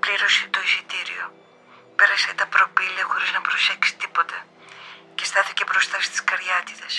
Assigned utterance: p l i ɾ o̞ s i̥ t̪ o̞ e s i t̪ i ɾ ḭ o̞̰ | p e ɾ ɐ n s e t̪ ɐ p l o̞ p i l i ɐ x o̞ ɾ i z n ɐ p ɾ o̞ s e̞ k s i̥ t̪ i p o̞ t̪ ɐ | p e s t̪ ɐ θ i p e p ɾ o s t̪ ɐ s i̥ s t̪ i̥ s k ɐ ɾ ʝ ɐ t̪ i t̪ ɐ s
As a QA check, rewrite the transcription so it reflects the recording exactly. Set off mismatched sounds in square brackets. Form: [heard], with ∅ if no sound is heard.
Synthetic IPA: p l i ɾ o̞ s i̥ t̪ o̞ [i] s i t̪ i ɾ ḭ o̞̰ | p e ɾ ɐ [∅] s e t̪ ɐ p [ɾ] o̞ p i l i ɐ x o̞ ɾ i z n ɐ p ɾ o̞ s e̞ k s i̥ t̪ i p o̞ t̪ ɐ | [c] e s t̪ ɐ θ i [c] e p ɾ o s t̪ ɐ s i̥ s t̪ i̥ s k ɐ ɾ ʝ ɐ t̪ i t̪ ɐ s